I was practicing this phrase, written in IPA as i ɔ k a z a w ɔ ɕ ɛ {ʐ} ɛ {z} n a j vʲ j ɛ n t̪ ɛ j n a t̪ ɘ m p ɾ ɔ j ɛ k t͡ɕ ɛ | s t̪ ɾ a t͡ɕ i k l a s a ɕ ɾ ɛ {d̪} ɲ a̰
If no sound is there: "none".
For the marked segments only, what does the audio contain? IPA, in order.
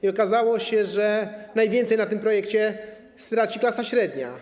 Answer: ʐ, none, d̪

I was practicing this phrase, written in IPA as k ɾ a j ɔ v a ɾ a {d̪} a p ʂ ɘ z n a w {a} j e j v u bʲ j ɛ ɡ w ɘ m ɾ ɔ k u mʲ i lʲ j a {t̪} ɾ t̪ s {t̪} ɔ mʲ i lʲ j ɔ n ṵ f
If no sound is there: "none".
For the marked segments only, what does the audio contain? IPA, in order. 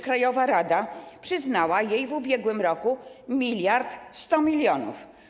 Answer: d̪, a, none, t̪

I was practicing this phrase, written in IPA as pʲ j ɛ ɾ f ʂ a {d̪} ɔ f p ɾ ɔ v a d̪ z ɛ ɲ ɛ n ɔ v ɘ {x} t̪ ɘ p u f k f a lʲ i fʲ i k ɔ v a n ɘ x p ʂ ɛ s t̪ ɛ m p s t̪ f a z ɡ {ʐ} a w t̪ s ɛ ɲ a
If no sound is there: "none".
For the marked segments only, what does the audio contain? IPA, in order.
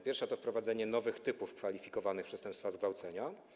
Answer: t̪, x, v

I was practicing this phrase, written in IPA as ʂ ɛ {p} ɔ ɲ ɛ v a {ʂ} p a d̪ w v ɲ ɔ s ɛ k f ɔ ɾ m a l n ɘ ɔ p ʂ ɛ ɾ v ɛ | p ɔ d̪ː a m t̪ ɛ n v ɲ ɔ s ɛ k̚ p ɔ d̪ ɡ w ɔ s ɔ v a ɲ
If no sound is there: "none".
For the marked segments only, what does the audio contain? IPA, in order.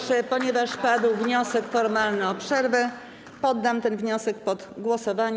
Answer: p, ʂ

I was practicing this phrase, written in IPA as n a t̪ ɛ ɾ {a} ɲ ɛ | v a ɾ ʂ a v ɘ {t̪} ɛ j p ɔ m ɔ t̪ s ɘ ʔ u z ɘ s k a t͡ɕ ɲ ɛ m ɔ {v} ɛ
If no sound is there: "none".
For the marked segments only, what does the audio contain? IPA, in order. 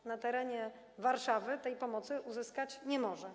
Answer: ɛ, t̪, ʐ

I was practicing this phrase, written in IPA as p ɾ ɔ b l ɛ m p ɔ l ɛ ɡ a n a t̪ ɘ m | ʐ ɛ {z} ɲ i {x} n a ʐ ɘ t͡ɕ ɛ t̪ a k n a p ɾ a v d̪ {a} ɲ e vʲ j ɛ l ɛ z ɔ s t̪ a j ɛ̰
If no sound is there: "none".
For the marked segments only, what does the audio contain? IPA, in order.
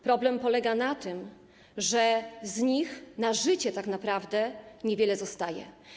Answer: z, x, ɛ

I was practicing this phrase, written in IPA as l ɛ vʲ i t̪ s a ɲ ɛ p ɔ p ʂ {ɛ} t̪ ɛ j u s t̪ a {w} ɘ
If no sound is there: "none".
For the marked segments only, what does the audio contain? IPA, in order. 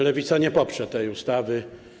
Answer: ɛ, v

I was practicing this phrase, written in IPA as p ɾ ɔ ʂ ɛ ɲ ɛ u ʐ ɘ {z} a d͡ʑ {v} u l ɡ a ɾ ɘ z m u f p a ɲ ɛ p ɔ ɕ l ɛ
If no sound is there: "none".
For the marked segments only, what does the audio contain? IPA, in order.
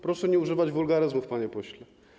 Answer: v, v

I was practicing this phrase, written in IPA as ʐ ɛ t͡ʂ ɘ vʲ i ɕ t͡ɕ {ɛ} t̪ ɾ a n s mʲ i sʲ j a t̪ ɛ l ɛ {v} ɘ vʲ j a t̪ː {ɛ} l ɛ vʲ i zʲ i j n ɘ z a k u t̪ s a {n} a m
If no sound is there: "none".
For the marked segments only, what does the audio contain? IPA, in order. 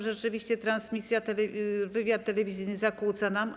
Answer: ɛ, v, ɛ, n

